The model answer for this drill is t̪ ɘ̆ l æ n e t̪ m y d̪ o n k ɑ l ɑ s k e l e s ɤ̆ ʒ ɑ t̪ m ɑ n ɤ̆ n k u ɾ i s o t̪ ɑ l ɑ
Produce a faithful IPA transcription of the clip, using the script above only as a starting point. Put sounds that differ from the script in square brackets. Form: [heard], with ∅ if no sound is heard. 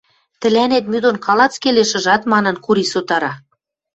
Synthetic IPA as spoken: t̪ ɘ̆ l æ n e t̪ m y d̪ o n k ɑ l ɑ [t͡s] k e l e [ʃ] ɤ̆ ʒ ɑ t̪ m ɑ n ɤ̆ n k u ɾ i s o t̪ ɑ [ɾ] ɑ